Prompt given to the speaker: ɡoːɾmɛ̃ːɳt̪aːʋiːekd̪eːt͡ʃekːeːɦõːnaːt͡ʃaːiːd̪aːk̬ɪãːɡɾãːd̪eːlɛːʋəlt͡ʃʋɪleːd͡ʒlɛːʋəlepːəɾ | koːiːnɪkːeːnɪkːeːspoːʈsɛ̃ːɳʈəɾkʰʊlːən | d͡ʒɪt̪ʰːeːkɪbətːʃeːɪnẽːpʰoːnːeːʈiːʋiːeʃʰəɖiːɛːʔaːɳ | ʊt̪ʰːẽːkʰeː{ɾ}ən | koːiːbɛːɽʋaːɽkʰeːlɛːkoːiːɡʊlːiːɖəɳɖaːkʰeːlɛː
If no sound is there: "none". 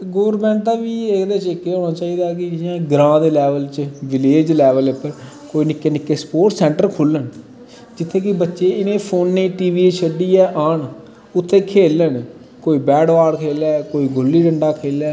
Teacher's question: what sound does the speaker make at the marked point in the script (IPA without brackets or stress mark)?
l